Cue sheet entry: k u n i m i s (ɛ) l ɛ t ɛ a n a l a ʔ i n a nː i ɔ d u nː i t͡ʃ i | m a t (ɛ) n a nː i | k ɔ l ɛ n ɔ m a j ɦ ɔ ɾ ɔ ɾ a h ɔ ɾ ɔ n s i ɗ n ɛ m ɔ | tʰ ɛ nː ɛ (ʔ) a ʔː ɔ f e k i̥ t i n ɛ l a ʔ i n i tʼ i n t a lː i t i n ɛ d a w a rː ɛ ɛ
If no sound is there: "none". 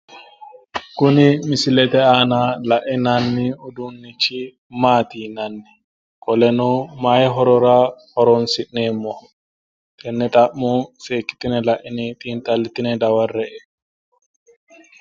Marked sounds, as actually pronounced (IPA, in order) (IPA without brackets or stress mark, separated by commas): i, i, t